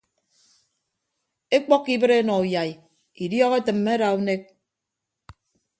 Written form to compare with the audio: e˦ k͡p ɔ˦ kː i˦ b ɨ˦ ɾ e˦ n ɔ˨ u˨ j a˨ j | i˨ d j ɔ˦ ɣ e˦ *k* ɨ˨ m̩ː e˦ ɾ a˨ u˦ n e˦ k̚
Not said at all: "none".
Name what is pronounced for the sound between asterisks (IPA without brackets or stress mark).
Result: t